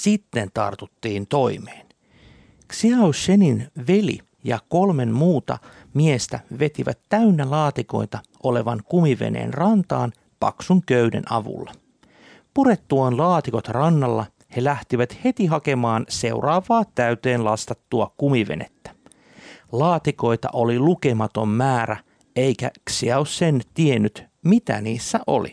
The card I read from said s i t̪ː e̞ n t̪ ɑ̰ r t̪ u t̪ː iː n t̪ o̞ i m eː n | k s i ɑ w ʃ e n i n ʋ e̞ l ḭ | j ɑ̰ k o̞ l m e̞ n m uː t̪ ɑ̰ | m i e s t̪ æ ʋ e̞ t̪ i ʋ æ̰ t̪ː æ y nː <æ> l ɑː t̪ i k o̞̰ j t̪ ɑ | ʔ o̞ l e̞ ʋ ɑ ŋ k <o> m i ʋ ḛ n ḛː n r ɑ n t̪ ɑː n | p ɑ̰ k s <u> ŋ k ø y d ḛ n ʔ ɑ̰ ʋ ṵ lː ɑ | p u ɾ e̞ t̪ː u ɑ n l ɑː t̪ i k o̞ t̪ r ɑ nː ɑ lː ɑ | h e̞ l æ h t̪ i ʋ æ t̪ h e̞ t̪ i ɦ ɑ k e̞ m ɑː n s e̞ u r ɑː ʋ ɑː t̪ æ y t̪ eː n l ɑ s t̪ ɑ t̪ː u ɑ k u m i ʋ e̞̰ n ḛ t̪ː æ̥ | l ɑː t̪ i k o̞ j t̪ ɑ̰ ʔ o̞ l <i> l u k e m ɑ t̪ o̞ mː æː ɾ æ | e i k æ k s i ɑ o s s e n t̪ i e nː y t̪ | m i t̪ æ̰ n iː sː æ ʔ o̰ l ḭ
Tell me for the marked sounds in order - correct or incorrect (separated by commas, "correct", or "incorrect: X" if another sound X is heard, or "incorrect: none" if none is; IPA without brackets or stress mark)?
correct, incorrect: u, correct, correct